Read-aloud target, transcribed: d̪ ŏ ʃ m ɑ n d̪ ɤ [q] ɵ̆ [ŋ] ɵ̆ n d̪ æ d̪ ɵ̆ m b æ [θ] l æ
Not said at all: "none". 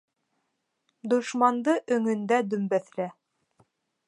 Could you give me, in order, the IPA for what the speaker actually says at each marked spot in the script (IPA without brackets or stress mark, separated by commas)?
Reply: ʔ, ŋ, θ